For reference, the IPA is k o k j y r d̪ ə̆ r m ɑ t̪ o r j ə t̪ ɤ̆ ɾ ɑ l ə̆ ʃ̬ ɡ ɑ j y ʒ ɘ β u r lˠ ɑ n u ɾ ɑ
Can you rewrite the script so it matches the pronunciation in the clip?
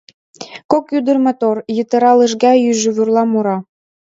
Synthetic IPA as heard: k o k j y d̪ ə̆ r m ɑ t̪ o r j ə t̪ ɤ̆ ɾ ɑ l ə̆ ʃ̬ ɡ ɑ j y ʒ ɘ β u r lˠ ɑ m u ɾ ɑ